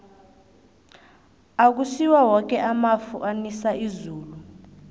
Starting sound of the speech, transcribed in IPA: a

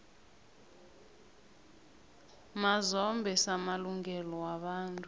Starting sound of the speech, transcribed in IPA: m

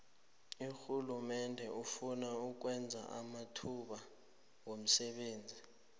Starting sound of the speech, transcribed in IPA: u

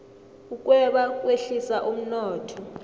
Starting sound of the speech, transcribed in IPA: u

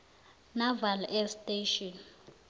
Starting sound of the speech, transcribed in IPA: n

